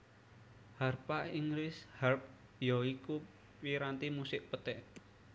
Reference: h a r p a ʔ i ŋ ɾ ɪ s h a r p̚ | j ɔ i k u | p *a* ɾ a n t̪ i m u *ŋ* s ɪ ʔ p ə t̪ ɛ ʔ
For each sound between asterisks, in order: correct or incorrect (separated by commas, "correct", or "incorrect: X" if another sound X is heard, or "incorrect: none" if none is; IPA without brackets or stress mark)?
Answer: incorrect: i, incorrect: none